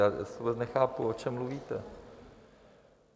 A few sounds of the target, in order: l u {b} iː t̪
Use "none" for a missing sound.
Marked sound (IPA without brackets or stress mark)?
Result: v